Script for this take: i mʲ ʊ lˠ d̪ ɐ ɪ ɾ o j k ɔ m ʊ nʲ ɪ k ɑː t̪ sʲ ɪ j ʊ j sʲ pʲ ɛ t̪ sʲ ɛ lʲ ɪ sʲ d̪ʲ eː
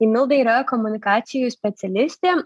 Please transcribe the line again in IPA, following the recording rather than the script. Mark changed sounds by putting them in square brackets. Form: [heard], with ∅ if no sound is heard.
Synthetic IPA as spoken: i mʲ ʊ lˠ d̪ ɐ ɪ ɾ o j k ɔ m ʊ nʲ ɪ k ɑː t̪ sʲ ɪ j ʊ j sʲ pʲ ɛ t̪ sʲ ɛ lʲ ɪ sʲ [t̪ʲ] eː

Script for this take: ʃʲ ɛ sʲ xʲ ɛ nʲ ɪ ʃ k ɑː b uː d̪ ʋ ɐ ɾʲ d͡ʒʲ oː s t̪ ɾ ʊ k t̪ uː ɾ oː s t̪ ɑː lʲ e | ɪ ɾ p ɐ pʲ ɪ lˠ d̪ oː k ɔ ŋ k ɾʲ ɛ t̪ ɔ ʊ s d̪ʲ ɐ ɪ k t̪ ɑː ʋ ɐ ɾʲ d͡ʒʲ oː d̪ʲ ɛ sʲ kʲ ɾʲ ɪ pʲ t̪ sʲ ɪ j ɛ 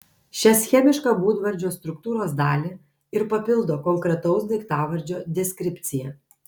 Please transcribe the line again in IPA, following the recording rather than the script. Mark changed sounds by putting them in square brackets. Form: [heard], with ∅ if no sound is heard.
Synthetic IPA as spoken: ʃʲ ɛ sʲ xʲ ɛ [mʲ] ɪ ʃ k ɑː b uː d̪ ʋ ɐ ɾʲ d͡ʒʲ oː s t̪ ɾ ʊ k t̪ uː ɾ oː s [d̪] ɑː lʲ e | ɪ ɾ p ɐ pʲ ɪ lˠ d̪ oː k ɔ ŋ k ɾʲ ɛ t̪ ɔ ʊ s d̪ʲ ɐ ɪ k t̪ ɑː ʋ ɐ ɾʲ d͡ʒʲ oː d̪ʲ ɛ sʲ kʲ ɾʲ ɪ pʲ t̪ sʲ ɪ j ɛ

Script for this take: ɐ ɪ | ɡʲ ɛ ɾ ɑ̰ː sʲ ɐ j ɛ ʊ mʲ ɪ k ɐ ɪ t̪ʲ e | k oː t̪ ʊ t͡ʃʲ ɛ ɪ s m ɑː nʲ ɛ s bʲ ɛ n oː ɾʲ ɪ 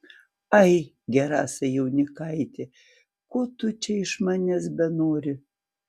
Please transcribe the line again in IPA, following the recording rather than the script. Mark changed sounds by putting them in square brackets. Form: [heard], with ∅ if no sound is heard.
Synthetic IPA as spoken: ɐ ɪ | ɡʲ ɛ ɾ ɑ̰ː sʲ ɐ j ɛ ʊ [nʲ] ɪ k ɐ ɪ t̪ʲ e | k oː t̪ ʊ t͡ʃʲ ɛ ɪ [ʃ] m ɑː nʲ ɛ s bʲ ɛ n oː ɾʲ ɪ

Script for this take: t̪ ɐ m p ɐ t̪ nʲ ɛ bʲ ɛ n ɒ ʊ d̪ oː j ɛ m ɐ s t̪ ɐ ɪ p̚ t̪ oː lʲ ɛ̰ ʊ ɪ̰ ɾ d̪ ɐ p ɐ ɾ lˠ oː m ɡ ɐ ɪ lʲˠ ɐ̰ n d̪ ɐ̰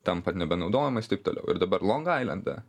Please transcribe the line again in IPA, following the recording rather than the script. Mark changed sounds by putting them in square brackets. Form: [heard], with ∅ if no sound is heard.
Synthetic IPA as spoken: t̪ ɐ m p ɐ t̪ nʲ ɛ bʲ ɛ n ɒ ʊ d̪ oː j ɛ m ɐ s t̪ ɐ ɪ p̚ t̪ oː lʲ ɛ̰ ʊ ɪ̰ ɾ d̪ ɐ [b] ɐ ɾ lˠ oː [ŋ] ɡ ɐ ɪ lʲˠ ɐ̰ n d̪ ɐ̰

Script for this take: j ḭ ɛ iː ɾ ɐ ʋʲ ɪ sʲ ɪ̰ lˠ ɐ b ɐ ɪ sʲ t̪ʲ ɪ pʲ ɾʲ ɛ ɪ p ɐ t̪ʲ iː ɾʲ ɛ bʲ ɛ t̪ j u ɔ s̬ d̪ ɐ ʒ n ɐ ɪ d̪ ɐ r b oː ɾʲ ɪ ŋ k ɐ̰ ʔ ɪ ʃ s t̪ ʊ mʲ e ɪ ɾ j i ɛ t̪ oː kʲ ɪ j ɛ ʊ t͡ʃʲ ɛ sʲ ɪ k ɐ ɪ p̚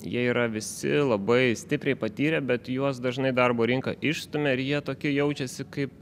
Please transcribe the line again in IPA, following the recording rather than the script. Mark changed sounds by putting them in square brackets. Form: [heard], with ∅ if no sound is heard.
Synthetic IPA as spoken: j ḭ ɛ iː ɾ ɐ ʋʲ ɪ sʲ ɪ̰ lˠ ɐ b ɐ ɪ sʲ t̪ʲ ɪ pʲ ɾʲ ɛ ɪ p ɐ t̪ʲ iː ɾʲ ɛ bʲ ɛ t̪ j u ɔ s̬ d̪ ɐ ʒ n ɐ ɪ d̪ ɐ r b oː ɾʲ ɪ ŋ k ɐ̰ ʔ ɪ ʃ s t̪ ʊ mʲ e ɪ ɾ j i ɛ t̪ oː kʲ ɪ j ɛ ʊ t͡ʃʲ ɛ sʲ ɪ k ɐ ɪ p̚

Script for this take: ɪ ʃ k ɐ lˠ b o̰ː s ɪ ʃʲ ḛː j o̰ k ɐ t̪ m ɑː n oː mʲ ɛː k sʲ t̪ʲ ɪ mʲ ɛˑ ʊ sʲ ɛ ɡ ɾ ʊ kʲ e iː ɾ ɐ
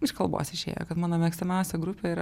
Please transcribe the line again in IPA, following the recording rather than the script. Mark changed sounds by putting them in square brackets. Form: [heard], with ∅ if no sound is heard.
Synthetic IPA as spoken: ɪ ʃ k ɐ lˠ b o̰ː s ɪ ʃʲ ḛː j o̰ k ɐ t̪ m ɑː n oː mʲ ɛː k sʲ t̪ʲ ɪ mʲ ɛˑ ʊ sʲ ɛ ɡ ɾ ʊ [pʲ] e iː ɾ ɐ

